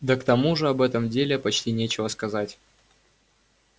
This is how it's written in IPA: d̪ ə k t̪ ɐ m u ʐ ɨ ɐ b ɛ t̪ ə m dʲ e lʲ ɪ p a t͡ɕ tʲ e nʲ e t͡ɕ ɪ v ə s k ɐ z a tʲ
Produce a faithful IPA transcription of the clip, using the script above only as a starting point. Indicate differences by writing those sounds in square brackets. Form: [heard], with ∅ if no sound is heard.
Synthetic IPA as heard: d̪ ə k t̪ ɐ m u ʐ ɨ ɐ b ɛ t̪ ə m dʲ e lʲ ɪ p [ɐ] t͡ɕ tʲ [i] nʲ e t͡ɕ ɪ v ə s k ɐ z a tʲ

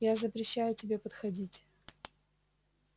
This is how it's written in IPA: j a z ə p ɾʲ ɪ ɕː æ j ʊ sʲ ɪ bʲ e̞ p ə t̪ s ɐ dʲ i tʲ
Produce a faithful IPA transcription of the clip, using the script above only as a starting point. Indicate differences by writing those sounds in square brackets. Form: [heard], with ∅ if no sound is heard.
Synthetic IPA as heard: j a z ə p ɾʲ ɪ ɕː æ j ʊ [tʲ] ɪ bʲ e̞ p ə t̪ [x] ɐ dʲ i tʲ

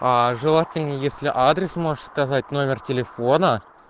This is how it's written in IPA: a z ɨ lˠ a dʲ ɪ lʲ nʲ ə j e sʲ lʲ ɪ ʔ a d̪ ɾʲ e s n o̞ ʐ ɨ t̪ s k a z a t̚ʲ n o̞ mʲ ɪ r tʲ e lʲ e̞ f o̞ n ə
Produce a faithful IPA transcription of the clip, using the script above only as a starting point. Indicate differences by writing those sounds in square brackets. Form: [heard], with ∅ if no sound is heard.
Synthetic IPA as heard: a [ʐ] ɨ lˠ a [tʲ] ɪ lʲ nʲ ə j e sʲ lʲ ɪ ʔ a d̪ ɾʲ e s [m] o̞ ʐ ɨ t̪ s k a z a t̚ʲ n o̞ mʲ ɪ r tʲ e lʲ e̞ f o̞ n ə

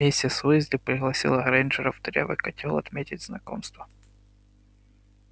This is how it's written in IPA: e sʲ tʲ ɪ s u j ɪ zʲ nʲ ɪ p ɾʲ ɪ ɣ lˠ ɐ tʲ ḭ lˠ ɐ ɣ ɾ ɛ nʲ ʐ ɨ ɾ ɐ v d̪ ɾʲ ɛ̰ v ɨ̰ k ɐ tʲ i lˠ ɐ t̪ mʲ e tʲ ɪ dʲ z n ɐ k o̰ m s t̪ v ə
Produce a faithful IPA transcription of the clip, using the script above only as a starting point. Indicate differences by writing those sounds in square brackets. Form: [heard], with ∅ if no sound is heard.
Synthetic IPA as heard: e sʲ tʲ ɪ s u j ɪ zʲ [dʲ] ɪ p ɾʲ ɪ ɣ lˠ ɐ [sʲ] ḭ lˠ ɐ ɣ ɾ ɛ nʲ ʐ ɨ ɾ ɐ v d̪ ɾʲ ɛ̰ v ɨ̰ k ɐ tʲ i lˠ ɐ t̪ mʲ e tʲ ɪ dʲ z n ɐ k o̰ m s t̪ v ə

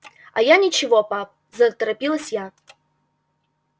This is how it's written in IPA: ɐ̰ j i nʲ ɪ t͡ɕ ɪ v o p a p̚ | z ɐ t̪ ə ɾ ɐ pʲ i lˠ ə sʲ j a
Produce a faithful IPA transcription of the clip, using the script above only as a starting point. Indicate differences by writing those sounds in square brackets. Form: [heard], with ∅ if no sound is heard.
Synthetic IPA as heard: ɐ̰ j [a] nʲ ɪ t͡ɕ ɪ v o p a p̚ | z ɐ t̪ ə ɾ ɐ pʲ i lˠ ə sʲ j a

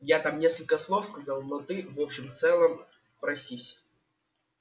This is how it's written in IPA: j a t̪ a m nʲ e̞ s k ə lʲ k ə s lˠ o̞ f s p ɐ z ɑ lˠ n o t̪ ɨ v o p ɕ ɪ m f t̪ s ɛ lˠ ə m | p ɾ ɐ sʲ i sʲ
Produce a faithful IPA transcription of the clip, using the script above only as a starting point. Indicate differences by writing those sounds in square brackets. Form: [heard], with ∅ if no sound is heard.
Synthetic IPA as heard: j a t̪ a m nʲ e̞ s k ə lʲ k ə s lˠ o̞ f s [k] ɐ z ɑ lˠ n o t̪ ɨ v o p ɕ ɪ m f t̪ s ɛ lˠ ə m | p ɾ ɐ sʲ i sʲ

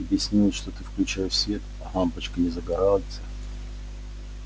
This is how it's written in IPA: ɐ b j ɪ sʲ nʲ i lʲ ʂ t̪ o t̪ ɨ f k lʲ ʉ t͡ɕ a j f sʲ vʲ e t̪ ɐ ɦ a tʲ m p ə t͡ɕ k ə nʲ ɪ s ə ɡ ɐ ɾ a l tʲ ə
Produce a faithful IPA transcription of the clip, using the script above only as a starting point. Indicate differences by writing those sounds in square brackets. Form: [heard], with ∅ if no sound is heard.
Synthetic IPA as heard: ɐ b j ɪ sʲ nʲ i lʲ ʂ t̪ o t̪ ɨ f k lʲ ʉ t͡ɕ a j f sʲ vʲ e t̪ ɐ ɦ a [∅] m p ə t͡ɕ k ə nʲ ɪ [z] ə ɡ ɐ ɾ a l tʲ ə

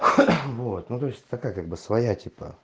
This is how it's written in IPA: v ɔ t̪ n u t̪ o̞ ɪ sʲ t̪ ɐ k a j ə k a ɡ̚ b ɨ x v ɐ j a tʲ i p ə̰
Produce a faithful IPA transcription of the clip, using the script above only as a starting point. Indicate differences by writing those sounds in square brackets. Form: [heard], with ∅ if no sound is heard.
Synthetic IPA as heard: v [o] t̪ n u t̪ o̞ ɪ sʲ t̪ ɐ k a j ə k a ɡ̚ b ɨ [s] v ɐ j a tʲ i p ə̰

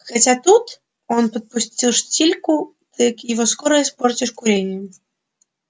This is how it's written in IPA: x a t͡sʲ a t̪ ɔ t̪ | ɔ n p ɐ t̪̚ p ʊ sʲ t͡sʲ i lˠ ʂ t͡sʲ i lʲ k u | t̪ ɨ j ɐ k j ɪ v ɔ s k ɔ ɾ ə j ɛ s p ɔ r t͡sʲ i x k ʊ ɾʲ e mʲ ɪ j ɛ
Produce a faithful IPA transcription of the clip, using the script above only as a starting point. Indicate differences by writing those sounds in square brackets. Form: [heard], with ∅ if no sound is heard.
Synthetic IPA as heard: x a t͡sʲ a t̪ [u] t̪ | ɔ n p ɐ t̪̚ p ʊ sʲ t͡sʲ i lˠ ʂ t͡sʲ i lʲ k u | t̪ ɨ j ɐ k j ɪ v ɔ s k ɔ ɾ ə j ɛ s p ɔ r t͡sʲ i [ʂ] k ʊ ɾʲ e [nʲ] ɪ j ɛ

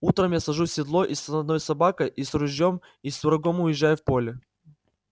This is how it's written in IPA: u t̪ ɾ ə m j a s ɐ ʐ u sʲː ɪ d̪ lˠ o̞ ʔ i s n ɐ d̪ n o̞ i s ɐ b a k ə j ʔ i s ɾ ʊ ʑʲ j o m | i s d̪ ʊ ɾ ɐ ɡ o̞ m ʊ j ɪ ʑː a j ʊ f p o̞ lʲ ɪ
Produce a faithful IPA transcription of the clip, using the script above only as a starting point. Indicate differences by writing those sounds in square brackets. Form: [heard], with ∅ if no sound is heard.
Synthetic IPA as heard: u t̪ ɾ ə m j a s ɐ ʐ u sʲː ɪ d̪ lˠ o̞ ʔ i s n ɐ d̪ n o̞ [j] s ɐ b a k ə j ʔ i s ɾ ʊ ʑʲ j o m | i s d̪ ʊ ɾ ɐ ɡ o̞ m ʊ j ɪ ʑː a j ʊ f p o̞ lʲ ɪ

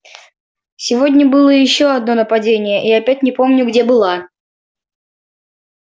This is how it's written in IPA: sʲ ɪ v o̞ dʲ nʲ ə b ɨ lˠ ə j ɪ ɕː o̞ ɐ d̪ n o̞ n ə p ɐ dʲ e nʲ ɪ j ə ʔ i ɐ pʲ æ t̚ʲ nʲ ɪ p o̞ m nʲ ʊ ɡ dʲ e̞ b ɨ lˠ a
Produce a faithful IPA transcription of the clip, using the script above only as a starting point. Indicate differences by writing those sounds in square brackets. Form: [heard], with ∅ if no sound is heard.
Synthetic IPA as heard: sʲ ɪ v o̞ dʲ nʲ ə b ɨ lˠ ə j ɪ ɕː o̞ ɐ d̪ n o̞ n ə p ɐ dʲ e nʲ ɪ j ə ʔ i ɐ pʲ æ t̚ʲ nʲ ɪ p o̞ m nʲ ʊ ɡ dʲ e̞ b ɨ lˠ a

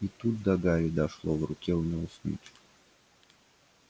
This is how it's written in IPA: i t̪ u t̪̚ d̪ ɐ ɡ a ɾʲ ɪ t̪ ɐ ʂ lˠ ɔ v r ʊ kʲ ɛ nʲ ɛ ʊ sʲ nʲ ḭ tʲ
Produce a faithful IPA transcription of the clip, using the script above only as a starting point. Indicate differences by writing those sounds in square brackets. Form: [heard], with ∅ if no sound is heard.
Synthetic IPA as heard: i t̪ u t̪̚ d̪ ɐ ɡ a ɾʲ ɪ [d̪] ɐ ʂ lˠ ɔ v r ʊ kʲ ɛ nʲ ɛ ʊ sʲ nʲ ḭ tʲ

